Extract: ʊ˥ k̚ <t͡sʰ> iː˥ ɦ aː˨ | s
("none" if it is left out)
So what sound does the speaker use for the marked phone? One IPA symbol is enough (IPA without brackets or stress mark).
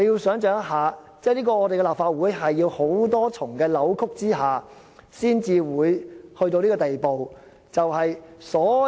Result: t͡s